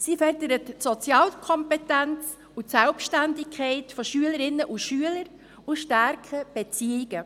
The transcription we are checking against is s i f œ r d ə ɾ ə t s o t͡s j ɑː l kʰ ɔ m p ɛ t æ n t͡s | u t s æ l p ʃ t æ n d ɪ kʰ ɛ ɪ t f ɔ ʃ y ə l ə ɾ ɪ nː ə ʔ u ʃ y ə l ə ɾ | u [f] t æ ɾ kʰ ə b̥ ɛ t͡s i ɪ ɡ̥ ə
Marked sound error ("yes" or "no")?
yes